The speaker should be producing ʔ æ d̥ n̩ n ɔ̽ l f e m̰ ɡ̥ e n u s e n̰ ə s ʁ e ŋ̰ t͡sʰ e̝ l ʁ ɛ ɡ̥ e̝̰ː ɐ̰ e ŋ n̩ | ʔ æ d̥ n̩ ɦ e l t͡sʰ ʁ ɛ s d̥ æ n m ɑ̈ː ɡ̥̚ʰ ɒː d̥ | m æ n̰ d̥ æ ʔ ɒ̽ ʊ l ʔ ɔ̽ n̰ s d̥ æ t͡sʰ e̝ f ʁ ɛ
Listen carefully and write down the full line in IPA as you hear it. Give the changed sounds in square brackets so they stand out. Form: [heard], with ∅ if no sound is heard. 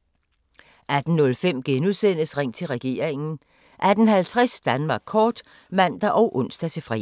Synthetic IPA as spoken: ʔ æ d̥ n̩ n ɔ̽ l f e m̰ ɡ̥ e n u s e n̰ ə s ʁ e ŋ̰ t͡sʰ e̝ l ʁ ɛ ɡ̥ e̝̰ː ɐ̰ e ŋ n̩ | ʔ æ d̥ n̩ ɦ [æ] l t͡sʰ ʁ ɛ s d̥ æ n m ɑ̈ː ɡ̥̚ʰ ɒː d̥ | m æ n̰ d̥ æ ʔ ɒ̽ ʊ [∅] ʔ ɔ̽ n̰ s d̥ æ t͡sʰ e̝ f ʁ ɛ